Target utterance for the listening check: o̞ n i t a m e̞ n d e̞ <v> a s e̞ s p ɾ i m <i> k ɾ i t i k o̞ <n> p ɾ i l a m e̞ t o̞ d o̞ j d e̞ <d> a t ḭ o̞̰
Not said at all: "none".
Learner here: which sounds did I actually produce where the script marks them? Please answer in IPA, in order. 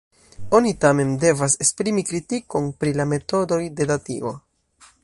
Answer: v, i, n, d

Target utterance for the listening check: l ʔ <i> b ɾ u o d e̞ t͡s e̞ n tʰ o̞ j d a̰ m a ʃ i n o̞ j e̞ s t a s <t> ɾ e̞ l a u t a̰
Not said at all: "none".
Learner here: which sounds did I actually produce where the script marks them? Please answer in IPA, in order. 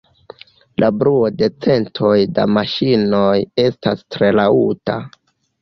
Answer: a, t

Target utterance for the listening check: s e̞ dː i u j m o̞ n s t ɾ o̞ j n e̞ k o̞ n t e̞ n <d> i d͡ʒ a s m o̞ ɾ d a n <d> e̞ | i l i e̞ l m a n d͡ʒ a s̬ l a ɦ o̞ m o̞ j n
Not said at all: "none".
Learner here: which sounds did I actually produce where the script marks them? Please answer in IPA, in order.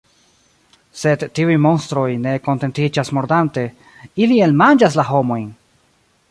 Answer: t, t

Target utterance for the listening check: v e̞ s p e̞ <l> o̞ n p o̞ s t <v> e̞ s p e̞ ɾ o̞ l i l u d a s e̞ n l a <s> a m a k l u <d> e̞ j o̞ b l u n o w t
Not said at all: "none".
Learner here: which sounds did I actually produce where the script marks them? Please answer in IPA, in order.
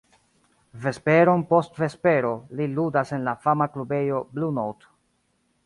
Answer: ɾ, v, f, b

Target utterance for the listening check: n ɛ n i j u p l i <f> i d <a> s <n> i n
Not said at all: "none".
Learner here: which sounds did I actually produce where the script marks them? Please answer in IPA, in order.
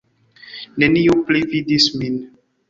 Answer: v, i, m

